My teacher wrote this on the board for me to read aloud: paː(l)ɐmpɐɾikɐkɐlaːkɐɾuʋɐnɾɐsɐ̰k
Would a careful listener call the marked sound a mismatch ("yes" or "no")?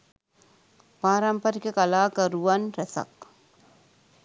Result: yes